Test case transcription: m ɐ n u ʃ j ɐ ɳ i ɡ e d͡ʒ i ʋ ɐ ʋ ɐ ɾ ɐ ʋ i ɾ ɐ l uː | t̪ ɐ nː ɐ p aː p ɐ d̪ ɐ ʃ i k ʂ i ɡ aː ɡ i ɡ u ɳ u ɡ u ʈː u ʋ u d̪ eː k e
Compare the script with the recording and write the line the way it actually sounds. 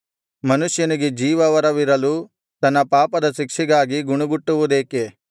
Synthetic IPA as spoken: m ɐ n u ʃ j ɐ n i ɡ e d͡ʒ iː ʋ ɐ ʋ ɐ ɾ ɐ ʋ i ɾ ɐ l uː | t̪ ɐ nː ɐ p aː p ɐ d̪ ɐ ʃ i k ʂ i ɡ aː ɡ i ɡ u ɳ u ɡ u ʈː u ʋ u d̪ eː k e